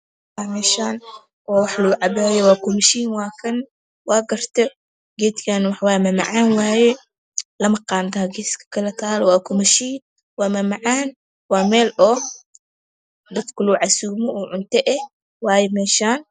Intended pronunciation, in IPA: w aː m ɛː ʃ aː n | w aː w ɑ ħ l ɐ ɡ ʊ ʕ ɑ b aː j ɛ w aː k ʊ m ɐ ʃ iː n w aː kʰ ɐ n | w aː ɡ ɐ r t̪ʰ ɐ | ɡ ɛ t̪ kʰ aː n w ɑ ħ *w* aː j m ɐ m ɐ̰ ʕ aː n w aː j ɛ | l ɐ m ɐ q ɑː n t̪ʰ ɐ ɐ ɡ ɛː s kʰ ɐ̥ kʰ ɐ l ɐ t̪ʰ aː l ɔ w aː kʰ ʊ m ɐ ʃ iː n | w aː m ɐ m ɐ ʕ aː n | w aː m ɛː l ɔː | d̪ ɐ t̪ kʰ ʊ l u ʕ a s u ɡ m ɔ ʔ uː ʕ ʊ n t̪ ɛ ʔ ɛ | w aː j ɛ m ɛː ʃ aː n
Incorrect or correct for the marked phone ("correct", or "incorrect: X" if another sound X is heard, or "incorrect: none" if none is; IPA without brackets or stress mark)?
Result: correct